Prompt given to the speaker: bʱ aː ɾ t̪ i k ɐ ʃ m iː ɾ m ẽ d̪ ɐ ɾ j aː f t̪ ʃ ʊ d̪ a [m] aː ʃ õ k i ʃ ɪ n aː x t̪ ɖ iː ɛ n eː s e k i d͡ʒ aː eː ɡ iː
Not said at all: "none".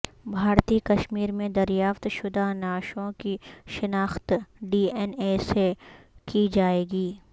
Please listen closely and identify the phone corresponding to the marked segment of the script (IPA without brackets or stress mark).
n